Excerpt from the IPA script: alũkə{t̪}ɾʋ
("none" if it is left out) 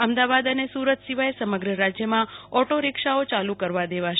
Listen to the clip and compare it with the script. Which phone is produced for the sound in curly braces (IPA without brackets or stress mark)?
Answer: none